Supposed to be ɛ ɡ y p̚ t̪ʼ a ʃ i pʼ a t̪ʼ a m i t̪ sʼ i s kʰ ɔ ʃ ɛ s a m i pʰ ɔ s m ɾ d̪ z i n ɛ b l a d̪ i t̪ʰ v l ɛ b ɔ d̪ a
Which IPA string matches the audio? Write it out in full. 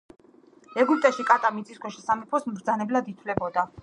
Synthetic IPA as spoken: ɛ ɡ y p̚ t̪ʼ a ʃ i kʼ a t̪ʼ a m i t̪ sʼ i s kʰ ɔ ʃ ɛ s a m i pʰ ɔ s m ɾ d̪ z a n ɛ b l a d̪ i t̪ʰ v l ɛ b ɔ d̪ a